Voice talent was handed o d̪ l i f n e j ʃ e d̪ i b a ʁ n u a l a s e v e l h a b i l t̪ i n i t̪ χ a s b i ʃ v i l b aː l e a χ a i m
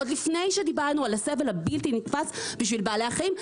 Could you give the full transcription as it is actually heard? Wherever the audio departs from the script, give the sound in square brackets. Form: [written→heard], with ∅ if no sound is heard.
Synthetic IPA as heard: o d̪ l i f n e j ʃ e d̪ i b a ʁ n u a l a s e v e l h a b i l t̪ i n i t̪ [χ→f] a s b i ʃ v i l b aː l e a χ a i m